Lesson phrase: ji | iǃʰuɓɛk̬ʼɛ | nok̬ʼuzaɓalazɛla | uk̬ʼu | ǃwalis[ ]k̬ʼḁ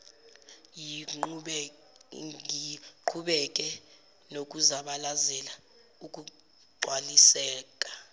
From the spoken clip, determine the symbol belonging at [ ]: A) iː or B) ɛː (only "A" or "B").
B